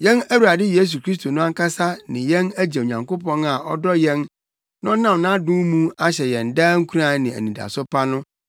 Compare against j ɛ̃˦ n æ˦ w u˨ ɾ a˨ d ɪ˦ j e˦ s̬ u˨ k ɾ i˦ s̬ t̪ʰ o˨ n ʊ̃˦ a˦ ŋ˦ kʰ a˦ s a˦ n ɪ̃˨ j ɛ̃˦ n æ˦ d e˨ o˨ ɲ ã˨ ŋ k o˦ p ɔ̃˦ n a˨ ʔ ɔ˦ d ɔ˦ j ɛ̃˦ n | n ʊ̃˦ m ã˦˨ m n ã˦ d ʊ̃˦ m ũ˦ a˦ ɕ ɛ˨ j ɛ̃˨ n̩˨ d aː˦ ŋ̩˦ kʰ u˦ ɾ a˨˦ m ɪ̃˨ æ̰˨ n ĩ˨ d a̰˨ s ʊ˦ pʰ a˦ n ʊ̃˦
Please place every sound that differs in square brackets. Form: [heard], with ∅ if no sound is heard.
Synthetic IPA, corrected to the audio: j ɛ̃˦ n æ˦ w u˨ ɾ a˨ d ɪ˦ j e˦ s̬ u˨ k ɾ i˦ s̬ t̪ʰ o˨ n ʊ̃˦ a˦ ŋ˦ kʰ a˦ s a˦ n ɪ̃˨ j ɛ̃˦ n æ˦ [d͡ʑ] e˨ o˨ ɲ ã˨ ŋ k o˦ p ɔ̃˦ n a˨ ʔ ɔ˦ d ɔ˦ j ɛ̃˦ n | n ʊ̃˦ [n] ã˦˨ m n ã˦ d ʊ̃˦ m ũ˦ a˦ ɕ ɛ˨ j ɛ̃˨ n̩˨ d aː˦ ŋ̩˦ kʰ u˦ ɾ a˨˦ [n] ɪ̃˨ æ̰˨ n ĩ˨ d a̰˨ s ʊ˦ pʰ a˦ n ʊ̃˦